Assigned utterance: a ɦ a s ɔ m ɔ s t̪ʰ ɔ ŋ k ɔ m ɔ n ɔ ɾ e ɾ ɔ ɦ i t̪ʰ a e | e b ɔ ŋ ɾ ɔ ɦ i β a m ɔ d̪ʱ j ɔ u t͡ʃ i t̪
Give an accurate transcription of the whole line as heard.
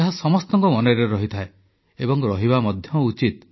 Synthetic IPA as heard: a ɦ a s ɔ m ɔ s t̪ ɔ ŋ k ɔ m ɔ n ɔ ɾ e ɾ ɔ ɦ i t̪ʰ a e | e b ɔ ŋ ɾ ɔ ɦ i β a m ɔ d̪ʱ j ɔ u t͡ʃ i t̪

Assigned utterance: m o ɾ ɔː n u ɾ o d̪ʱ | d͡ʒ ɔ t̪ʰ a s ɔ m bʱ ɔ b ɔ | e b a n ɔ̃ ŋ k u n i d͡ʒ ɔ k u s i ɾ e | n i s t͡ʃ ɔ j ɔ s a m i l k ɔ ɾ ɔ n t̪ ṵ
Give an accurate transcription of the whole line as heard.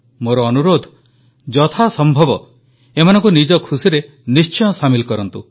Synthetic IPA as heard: m o ɾ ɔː n u ɾ o d̪ʱ | d͡ʒ ɔ t̪ʰ a s ɔ m bʱ ɔ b ɔ | e m a n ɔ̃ ŋ k u n i d͡ʒ ɔ kʰ u s i ɾ e | n i s t͡ʃ ɔ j ɔ s a m i l k ɔ ɾ ɔ n t̪ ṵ

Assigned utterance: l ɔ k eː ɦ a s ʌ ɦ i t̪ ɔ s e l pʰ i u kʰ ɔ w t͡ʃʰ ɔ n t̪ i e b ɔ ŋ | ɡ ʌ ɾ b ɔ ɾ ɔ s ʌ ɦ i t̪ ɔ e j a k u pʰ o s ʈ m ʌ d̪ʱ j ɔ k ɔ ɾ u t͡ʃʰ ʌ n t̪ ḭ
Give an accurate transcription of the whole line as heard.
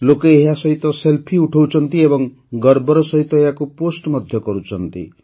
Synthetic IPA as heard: l o k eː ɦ a s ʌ ɦ i t̪ ɔ s e l pʰ i u ʈʰ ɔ w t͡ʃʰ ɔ n t̪ i e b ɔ ŋ | ɡ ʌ ɾ b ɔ ɾ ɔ s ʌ ɦ i t̪ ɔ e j a k u p o s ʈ m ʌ d̪ʱ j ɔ k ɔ ɾ u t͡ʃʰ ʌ n t̪ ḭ

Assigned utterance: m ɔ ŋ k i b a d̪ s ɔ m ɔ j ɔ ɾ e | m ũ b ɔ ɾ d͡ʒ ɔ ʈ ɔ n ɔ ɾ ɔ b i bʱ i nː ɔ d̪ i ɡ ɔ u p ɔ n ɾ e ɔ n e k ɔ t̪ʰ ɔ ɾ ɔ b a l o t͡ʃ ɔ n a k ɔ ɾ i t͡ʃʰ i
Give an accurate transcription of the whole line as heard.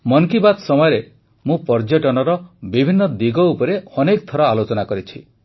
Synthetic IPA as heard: m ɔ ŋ k i b a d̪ s ɔ m ɔ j ɔ ɾ e | m ũ p ɔ ɾ d͡ʒ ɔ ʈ ɔ n ɔ ɾ ɔ b i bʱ i nː ɔ d̪ i ɡ ɔ u p ɔ ɾ e ɔ n e k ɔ t̪ʰ ɔ ɾ ɔ a l o t͡ʃ ɔ n a k ɔ ɾ i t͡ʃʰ i

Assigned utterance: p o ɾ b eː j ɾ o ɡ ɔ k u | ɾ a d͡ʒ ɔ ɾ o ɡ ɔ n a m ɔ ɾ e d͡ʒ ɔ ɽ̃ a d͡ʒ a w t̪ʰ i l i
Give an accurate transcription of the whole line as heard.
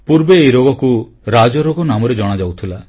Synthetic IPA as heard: p u ɾ b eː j ɾ o ɡ ɔ k u | ɾ a d͡ʒ ɔ ɾ o ɡ ɔ n a m ɔ ɾ e d͡ʒ ɔ ɽ̃ a d͡ʒ a w t̪ʰ i l a

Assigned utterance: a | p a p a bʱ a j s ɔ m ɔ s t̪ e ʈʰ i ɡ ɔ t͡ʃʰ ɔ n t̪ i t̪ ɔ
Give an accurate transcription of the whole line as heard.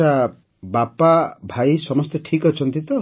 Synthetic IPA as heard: a | b a p a bʱ a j s ɔ m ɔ s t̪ e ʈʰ i k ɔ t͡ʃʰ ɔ n t̪ i t̪ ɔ

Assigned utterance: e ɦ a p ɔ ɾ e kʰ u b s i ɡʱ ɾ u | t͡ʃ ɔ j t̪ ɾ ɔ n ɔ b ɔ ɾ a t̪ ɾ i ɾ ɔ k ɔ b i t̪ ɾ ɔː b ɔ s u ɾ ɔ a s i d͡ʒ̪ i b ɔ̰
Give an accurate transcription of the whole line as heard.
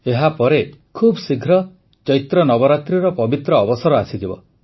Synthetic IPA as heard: e ɦ a p ɔ ɾ e kʰ u b s i ɡʱ ɾ ɔ | t͡ʃ ɔ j t̪ ɾ ɔ n ɔ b ɔ ɾ a t̪ ɾ i ɾ ɔ p ɔ b i t̪ ɾ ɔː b ɔ s ɔ ɾ ɔ a s i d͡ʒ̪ i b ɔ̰

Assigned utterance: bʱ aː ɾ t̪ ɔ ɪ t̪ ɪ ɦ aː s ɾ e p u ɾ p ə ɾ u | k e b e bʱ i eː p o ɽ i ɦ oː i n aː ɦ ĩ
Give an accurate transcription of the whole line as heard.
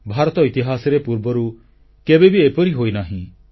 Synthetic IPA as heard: bʱ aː ɾ t̪ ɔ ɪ t̪ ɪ ɦ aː s ɾ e p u ɾ b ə ɾ u | k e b e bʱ i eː p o ɾ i ɦ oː i n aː ɦ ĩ

